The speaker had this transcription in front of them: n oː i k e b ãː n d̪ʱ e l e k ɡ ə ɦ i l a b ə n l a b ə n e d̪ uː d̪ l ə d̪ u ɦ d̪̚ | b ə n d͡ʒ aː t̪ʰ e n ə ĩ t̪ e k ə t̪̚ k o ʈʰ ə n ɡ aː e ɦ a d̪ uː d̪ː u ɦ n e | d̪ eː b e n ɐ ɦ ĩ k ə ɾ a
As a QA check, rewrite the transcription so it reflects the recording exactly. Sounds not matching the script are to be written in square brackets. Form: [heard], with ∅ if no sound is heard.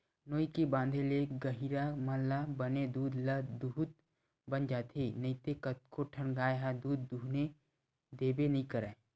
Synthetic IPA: n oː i k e b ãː n d̪ʱ e l e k ɡ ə ɦ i [ɾ] a [m] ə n l a b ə n e d̪ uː d̪ l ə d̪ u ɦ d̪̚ | b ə n d͡ʒ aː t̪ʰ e n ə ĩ t̪ e k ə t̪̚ k o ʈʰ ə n ɡ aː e ɦ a d̪ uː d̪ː u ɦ n e | d̪ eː b e n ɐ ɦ ĩ k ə ɾ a